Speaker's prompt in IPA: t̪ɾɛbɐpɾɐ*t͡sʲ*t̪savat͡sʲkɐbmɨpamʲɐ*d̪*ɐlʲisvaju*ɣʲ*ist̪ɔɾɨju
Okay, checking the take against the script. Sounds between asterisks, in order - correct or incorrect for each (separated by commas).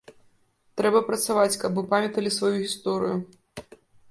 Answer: incorrect, incorrect, correct